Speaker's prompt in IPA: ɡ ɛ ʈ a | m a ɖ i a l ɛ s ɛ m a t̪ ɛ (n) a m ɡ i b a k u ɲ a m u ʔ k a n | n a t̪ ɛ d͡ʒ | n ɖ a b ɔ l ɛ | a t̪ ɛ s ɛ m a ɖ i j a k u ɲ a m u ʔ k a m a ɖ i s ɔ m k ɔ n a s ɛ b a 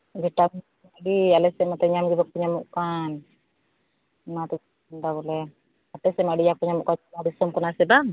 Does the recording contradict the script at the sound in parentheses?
yes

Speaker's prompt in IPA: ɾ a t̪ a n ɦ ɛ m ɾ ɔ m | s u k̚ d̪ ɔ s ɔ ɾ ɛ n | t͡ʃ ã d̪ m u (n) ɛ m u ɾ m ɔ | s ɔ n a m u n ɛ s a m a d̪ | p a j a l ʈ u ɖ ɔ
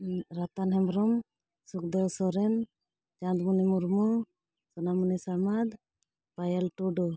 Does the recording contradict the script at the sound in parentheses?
no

